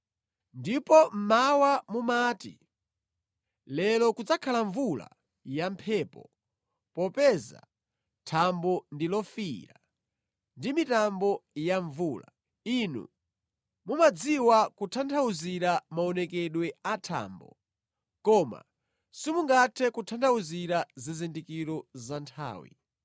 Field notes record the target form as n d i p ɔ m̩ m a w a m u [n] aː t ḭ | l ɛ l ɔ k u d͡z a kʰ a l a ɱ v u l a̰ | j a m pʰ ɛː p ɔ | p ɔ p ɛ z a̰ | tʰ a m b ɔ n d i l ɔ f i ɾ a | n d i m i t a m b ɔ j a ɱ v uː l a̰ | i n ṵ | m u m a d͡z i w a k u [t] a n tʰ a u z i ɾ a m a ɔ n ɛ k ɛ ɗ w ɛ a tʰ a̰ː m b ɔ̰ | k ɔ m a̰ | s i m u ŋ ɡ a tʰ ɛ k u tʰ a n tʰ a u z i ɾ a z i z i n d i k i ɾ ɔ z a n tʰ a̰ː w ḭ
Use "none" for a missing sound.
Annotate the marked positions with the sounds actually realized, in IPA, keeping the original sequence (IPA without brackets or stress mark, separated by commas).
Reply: m, tʰ